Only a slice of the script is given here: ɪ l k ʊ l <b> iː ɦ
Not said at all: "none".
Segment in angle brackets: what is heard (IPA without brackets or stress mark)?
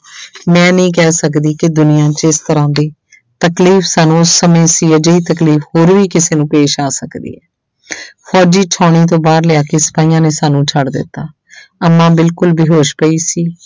b